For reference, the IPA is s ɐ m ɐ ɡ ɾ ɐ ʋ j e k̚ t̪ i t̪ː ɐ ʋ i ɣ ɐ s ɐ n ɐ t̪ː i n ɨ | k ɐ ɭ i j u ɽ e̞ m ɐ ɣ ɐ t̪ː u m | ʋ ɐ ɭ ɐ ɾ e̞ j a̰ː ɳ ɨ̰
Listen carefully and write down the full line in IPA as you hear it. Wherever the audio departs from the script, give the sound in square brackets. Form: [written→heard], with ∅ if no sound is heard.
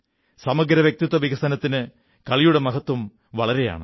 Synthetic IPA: s ɐ m ɐ ɡ ɾ ɐ ʋ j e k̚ t̪ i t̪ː ɐ ʋ i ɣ ɐ s ɐ n ɐ t̪ː i n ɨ | k ɐ ɭ i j u ɽ e̞ m ɐ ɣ ɐ t̪ː u m | ʋ ɐ ɭ ɐ ɾ e̞ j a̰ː ɳ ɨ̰